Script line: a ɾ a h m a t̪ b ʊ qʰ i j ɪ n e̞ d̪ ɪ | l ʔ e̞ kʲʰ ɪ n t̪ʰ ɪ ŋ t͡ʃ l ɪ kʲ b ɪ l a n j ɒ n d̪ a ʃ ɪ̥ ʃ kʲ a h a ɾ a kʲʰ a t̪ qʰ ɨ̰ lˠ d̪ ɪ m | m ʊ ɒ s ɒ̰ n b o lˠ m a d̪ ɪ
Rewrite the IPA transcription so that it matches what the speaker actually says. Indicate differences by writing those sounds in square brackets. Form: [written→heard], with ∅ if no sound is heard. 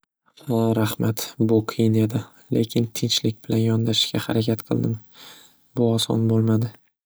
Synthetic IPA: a ɾ a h m a t̪ b ʊ qʰ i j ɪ n e̞ d̪ ɪ | l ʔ e̞ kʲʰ ɪ n t̪ʰ ɪ [ŋ→n] t͡ʃ l ɪ kʲ b ɪ l a n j ɒ n d̪ a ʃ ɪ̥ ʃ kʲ a h a ɾ a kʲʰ a t̪ qʰ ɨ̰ lˠ d̪ ɪ m | [m→b] ʊ ɒ s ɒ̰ n b o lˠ m a d̪ ɪ